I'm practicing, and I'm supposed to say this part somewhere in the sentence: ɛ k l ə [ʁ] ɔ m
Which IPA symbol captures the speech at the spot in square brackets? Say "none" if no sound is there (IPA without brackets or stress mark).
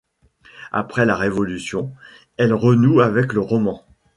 ʁ